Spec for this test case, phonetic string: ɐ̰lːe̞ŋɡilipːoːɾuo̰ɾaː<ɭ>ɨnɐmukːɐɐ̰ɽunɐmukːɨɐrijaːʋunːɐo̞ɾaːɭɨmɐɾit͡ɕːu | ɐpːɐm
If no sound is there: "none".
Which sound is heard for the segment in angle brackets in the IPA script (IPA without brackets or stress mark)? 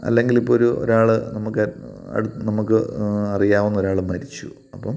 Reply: ɭ